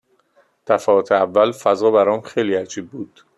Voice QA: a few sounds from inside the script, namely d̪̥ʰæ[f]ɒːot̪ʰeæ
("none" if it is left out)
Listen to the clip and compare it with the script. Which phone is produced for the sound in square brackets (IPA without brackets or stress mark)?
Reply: f